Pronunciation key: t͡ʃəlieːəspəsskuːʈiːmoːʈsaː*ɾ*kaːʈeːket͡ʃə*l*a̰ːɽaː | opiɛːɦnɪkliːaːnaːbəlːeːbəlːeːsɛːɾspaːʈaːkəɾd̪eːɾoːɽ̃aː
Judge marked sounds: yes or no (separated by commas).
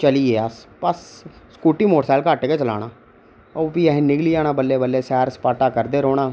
no, yes